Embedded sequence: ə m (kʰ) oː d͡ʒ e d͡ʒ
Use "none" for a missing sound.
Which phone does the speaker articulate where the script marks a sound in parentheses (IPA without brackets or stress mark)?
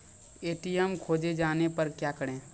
kʰ